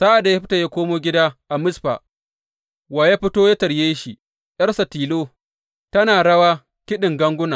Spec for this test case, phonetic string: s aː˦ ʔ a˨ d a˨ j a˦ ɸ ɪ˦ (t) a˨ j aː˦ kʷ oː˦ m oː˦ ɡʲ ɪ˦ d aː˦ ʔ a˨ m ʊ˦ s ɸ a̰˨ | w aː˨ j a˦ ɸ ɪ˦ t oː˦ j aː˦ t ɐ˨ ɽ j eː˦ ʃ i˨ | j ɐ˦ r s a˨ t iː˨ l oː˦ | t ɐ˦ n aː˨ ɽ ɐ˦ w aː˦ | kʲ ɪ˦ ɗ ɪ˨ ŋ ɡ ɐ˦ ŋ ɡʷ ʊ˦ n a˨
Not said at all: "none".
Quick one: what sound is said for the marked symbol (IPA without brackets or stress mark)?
t